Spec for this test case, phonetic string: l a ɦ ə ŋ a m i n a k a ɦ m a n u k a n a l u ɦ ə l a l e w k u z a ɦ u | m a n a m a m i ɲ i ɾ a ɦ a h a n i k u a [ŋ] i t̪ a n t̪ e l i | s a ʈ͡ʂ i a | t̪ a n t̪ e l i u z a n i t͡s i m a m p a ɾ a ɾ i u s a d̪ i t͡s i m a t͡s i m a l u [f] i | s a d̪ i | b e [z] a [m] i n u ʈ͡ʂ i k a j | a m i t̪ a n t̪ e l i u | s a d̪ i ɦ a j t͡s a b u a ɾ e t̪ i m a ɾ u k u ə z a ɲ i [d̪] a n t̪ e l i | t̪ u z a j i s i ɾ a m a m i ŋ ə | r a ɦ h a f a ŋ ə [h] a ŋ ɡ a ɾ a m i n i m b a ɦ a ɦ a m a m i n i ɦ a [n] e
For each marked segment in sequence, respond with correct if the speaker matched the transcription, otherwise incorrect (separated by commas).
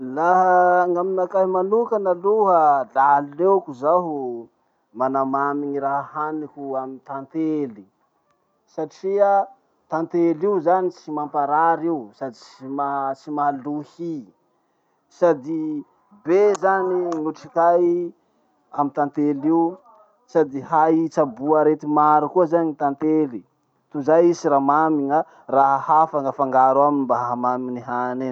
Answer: incorrect, incorrect, correct, incorrect, incorrect, incorrect, correct